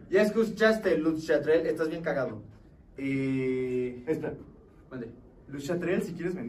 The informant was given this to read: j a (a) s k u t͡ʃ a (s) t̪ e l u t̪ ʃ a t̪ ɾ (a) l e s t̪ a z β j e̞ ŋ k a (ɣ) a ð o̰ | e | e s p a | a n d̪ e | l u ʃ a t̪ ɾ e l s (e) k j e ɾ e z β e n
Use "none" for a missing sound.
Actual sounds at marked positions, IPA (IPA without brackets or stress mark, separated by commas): e, s, e, ɣ, i